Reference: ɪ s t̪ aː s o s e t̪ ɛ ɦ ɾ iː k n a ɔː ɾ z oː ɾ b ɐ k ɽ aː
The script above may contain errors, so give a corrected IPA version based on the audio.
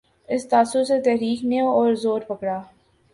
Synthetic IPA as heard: ɪ s t̪ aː s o s e t̪ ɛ ɦ ɾ iː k n e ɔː ɾ z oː ɾ p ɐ k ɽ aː